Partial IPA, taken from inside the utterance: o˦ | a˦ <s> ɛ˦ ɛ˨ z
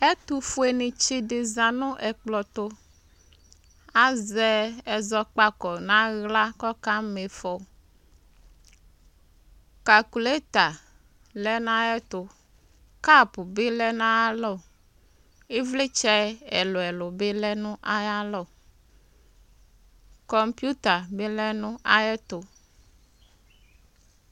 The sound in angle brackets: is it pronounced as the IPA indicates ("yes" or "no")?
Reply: no